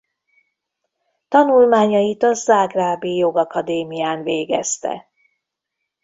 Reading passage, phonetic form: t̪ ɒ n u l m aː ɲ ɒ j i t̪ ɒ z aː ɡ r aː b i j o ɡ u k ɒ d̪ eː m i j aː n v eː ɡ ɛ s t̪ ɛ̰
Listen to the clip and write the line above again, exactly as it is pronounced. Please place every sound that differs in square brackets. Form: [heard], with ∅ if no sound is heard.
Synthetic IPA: t̪ ɒ n u l m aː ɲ ɒ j i t̪ ɒ z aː ɡ r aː b i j o ɡ [ɒ] k ɒ d̪ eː m i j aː n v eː ɡ ɛ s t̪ ɛ̰